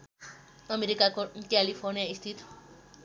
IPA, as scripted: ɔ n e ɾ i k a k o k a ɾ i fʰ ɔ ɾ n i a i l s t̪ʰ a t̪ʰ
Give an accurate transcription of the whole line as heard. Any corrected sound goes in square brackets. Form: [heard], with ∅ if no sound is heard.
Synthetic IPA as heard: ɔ [m] e ɾ i k a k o k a [l] i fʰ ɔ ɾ n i a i [∅] s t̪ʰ [i] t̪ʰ